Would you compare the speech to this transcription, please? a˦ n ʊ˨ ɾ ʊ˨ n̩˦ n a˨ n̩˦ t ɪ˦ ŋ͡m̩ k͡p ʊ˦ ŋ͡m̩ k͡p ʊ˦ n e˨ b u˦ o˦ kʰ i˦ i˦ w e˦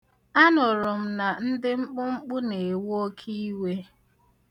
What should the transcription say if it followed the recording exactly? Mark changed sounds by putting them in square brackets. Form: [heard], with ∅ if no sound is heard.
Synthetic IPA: a˦ n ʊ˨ ɾ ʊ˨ [m̩˦] n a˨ n̩˦ [d] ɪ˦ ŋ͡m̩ k͡p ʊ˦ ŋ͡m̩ k͡p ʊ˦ n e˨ [w] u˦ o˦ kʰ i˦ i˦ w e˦